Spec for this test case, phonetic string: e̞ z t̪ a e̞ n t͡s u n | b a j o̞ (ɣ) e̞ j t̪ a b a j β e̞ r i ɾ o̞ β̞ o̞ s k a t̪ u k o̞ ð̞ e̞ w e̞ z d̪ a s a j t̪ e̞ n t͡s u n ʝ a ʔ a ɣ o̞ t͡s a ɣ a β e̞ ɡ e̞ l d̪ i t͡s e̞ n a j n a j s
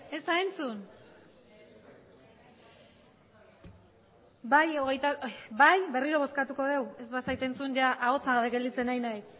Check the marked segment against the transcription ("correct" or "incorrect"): correct